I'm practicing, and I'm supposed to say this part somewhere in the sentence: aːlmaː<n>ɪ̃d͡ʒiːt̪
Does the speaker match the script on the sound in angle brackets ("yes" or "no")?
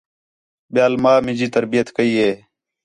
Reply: no